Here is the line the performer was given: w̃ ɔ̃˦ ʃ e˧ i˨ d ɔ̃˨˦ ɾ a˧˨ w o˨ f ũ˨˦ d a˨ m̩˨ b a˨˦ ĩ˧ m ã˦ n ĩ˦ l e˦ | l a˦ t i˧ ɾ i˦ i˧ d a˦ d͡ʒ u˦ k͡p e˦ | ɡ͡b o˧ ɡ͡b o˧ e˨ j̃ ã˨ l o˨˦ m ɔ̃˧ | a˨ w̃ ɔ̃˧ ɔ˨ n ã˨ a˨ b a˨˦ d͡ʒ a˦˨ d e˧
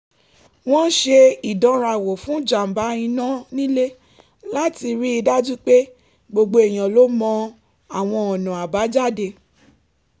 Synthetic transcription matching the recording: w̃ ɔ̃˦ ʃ e˧ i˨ d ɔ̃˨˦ ɾ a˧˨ w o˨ f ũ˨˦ d͡ʒ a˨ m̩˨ b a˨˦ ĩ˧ n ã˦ n ĩ˦ l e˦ | l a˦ t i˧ ɾ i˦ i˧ d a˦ d͡ʒ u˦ k͡p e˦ | ɡ͡b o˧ ɡ͡b o˧ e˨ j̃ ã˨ l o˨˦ m ɔ̃˧ | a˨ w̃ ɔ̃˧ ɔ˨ n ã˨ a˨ b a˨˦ d͡ʒ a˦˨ d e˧